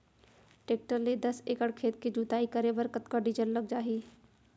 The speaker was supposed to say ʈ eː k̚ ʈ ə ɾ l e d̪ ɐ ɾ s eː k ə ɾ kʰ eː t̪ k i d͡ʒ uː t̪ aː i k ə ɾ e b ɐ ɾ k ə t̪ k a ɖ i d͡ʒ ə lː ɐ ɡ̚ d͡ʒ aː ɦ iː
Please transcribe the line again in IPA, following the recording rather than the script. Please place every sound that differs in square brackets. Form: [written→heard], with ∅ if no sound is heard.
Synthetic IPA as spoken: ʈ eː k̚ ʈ ə ɾ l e d̪ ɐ [ɾ→∅] s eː k ə [ɾ→ɽ] kʰ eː t̪ k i d͡ʒ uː t̪ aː i k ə ɾ e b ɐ ɾ k ə t̪ k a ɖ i d͡ʒ ə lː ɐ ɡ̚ d͡ʒ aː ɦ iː

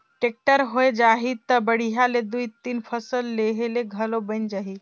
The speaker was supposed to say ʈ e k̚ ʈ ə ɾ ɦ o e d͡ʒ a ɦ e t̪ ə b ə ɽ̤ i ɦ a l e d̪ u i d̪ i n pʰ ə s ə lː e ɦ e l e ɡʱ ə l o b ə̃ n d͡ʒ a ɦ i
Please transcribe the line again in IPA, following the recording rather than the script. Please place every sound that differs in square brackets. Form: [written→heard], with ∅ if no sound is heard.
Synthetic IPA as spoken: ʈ e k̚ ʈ ə ɾ ɦ o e d͡ʒ a ɦ [e→i] t̪ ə b ə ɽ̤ i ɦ a l e d̪ u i [d̪→t̪] i n pʰ ə s ə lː e ɦ e l e ɡʱ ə l o b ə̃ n d͡ʒ a ɦ i

